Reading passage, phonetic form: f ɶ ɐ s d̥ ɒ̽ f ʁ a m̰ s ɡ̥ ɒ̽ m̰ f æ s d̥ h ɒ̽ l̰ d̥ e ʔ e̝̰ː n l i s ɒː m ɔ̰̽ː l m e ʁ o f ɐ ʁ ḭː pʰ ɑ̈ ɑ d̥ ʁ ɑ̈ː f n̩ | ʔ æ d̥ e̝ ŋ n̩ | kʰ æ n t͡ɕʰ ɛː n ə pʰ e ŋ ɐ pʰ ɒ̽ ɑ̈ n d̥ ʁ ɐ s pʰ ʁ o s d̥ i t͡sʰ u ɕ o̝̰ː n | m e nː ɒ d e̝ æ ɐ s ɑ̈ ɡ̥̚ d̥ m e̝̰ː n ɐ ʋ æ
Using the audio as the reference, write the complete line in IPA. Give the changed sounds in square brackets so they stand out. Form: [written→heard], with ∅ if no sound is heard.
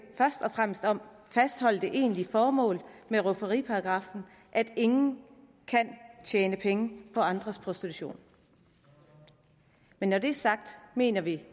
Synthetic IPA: f ɶ ɐ s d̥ ɒ̽ f ʁ a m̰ s [ɡ̥→d̥] ɒ̽ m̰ f æ s d̥ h ɒ̽ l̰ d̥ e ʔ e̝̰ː n l i [s→f] ɒː m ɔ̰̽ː l m e ʁ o f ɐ ʁ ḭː pʰ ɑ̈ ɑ [d̥→ɡ̥] ʁ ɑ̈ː f n̩ | ʔ æ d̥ e̝ ŋ n̩ | kʰ æ n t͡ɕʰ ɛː n ə pʰ e ŋ [ɐ→ə] pʰ ɒ̽ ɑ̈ n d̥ ʁ ɐ s pʰ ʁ o s d̥ i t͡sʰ u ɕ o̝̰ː n | m e nː ɒ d e̝ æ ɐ s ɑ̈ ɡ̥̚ d̥ m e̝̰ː n ɐ ʋ [æ→i]